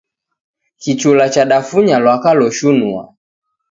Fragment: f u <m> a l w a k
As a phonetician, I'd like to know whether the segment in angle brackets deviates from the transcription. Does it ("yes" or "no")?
yes